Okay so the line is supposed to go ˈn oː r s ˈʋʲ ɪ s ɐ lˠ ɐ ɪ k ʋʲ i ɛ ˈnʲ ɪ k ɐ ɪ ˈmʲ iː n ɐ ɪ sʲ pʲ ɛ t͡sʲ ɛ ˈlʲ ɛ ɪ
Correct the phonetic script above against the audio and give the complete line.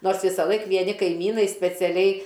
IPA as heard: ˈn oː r s ˈʋʲ ɪ s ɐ lˠ ɐ ɪ k ʋʲ i ɛ ˈnʲ ɪ k ɐ ɪ ˈmʲ iː n ɐ ɪ sʲ pʲ ɛ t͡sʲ ɛ ˈlʲ ɛ ɪ